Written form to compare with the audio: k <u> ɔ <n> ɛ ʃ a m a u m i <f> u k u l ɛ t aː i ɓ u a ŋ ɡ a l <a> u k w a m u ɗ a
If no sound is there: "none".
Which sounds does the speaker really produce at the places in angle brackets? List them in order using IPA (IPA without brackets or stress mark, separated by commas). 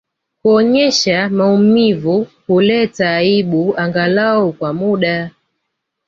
u, ɲ, v, a